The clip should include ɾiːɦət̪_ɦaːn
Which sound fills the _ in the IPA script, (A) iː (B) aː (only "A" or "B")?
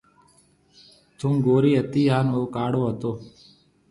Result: A